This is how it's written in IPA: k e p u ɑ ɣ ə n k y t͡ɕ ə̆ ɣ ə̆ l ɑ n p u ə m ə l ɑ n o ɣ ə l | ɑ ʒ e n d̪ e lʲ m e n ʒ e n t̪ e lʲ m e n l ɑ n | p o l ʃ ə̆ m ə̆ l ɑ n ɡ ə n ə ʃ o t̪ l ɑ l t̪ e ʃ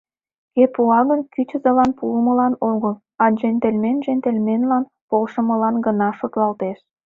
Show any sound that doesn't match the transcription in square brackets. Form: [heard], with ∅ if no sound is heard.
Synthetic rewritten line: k e p u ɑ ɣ ə n k y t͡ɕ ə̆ [z] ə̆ l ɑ n p u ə m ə l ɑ n o ɣ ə l | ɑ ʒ e n [t̪] e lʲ m e n ʒ e n t̪ e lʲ m e n l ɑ n | p o l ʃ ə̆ m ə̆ l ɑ n ɡ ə n [ɑ] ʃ o t̪ l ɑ l t̪ e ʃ